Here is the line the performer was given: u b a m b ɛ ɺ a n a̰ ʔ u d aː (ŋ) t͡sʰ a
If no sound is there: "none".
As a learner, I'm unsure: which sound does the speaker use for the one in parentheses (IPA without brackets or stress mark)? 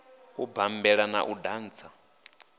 n